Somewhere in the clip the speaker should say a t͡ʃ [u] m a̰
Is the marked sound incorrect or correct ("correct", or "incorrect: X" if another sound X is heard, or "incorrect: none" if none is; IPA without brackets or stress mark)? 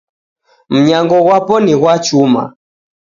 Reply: correct